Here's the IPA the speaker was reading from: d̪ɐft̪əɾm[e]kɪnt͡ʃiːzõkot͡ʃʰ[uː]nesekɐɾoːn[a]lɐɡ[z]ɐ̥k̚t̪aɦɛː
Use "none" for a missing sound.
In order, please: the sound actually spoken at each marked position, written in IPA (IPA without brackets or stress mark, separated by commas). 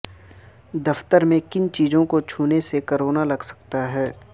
ẽ, uː, a, s